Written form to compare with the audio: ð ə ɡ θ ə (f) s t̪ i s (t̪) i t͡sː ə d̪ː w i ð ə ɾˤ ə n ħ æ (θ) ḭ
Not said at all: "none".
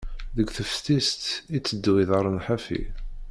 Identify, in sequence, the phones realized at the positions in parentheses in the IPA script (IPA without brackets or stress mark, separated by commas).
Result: f, t̪, f